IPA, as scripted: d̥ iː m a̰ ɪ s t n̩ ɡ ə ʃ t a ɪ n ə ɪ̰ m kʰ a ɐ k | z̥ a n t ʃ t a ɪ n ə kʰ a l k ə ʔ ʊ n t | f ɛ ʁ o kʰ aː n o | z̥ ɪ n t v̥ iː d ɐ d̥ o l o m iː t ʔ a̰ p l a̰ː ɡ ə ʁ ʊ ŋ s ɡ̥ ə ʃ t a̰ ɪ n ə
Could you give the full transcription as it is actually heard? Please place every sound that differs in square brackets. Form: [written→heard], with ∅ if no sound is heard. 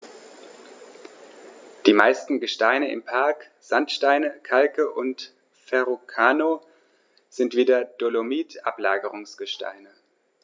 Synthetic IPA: d̥ iː m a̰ ɪ s t n̩ ɡ ə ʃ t a ɪ n ə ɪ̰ m [kʰ→pʰ] a ɐ k | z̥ a n t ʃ t a ɪ n ə kʰ a l k ə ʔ ʊ n t | f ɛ ʁ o kʰ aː n o | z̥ ɪ n t v̥ iː d ɐ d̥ o l o m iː t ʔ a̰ p l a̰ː ɡ ə ʁ ʊ ŋ s ɡ̥ ə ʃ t a̰ ɪ n ə